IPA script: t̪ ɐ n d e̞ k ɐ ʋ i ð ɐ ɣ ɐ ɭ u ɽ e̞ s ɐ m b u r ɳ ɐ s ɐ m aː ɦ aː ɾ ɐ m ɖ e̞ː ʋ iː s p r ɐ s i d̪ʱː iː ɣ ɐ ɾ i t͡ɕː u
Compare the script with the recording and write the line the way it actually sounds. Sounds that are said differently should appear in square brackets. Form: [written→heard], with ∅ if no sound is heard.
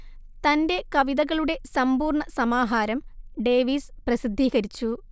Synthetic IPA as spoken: t̪ ɐ n d e̞ k ɐ ʋ i ð ɐ ɣ ɐ ɭ u ɽ e̞ s ɐ m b [u→uː] r ɳ ɐ s ɐ m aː ɦ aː ɾ ɐ m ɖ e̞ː ʋ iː s p r ɐ s i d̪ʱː iː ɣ ɐ ɾ i t͡ɕː u